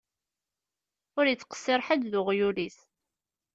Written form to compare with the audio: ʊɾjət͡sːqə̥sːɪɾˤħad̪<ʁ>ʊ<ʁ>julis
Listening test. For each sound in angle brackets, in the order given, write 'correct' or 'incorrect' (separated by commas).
incorrect, correct